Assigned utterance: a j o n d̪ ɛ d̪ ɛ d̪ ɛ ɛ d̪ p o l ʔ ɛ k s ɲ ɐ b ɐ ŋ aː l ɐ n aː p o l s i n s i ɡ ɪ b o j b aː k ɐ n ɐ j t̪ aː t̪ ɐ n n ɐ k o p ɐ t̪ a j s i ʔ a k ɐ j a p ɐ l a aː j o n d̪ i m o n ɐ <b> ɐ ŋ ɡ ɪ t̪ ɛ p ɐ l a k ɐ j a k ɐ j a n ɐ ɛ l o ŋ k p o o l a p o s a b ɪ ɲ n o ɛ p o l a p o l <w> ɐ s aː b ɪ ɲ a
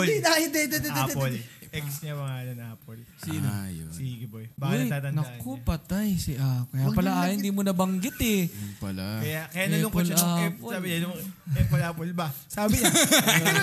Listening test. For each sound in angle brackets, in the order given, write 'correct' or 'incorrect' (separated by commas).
correct, incorrect